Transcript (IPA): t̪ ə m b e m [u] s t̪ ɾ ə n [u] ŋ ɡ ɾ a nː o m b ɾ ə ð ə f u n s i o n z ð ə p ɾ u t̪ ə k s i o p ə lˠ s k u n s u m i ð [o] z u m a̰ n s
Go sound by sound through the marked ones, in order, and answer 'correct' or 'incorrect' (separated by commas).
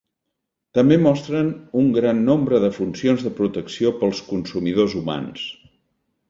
incorrect, correct, correct